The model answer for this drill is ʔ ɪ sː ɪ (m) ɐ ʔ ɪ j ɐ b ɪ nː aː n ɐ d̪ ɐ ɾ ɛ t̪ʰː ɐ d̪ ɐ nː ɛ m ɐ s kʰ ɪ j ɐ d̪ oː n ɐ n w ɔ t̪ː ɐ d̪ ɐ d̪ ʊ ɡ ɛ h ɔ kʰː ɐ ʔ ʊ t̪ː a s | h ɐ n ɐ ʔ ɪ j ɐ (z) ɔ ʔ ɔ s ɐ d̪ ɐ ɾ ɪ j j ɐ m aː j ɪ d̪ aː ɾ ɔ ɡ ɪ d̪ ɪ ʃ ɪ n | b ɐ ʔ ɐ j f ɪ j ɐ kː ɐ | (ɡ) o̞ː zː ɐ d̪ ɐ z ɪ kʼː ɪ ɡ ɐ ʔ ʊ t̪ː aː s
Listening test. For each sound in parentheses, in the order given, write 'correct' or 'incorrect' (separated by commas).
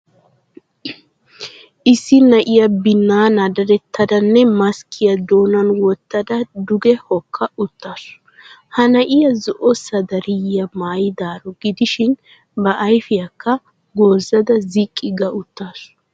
incorrect, correct, correct